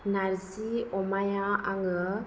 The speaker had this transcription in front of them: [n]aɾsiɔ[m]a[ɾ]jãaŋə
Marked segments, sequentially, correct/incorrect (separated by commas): correct, correct, incorrect